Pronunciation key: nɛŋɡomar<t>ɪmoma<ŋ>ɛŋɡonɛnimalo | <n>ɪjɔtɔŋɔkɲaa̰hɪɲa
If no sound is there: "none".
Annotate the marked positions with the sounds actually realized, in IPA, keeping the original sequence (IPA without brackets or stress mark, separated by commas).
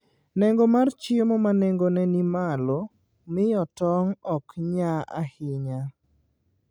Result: t͡ʃ, n, m